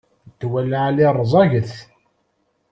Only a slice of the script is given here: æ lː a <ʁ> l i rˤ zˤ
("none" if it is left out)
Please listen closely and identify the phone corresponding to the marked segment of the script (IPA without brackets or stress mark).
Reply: ʕ